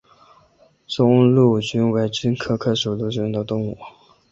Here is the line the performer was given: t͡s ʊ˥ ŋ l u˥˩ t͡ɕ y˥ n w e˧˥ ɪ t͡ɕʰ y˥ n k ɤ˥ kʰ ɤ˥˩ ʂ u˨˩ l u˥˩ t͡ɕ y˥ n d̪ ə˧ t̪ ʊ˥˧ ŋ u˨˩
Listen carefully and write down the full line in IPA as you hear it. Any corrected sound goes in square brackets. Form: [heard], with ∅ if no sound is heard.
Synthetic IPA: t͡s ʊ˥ ŋ l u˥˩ t͡ɕ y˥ n w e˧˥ ɪ [t͡ɕ] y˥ n [kʰ] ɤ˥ kʰ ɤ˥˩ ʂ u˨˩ l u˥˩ t͡ɕ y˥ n d̪ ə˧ t̪ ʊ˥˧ ŋ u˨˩

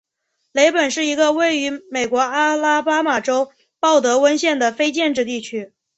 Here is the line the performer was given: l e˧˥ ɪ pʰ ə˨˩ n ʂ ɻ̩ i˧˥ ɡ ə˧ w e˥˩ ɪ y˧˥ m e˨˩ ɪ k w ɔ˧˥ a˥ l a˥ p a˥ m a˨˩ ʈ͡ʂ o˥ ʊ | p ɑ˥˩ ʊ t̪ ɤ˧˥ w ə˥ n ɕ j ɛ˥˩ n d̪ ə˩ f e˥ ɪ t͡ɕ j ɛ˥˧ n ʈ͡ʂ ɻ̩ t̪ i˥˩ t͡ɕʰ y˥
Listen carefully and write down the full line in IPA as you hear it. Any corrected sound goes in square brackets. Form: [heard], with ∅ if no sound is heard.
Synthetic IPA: l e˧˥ ɪ [p] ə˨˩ n ʂ ɻ̩ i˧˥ ɡ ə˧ w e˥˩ ɪ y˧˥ m e˨˩ ɪ k w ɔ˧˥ a˥ l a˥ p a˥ m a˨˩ ʈ͡ʂ o˥ ʊ | p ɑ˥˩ ʊ t̪ ɤ˧˥ w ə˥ n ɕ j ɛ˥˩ n d̪ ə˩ f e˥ ɪ t͡ɕ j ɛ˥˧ n ʈ͡ʂ ɻ̩ t̪ i˥˩ t͡ɕʰ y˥

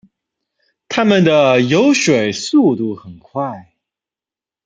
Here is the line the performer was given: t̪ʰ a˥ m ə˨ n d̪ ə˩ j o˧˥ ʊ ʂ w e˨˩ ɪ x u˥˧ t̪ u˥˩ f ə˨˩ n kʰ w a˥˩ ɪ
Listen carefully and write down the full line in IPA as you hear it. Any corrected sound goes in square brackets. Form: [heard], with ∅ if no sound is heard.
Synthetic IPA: t̪ʰ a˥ m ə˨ n d̪ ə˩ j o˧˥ ʊ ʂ w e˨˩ ɪ [s] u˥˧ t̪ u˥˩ [x] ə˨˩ n kʰ w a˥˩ ɪ

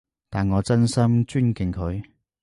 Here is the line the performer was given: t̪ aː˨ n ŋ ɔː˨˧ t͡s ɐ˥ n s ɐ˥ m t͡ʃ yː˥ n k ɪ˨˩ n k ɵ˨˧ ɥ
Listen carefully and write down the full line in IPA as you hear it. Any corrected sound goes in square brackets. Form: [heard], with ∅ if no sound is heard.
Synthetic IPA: t̪ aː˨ n ŋ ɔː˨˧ t͡s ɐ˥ n s ɐ˥ m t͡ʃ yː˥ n k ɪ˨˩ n [kʰ] ɵ˨˧ ɥ

